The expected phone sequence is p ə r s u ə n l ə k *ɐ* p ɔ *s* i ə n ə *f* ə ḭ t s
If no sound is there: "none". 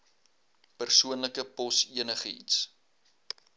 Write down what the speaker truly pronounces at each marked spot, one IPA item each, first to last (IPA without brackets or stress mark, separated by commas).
ə, s, χ